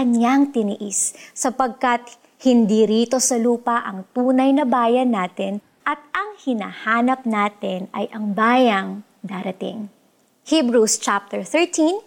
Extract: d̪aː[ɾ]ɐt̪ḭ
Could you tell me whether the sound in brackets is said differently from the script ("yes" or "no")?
no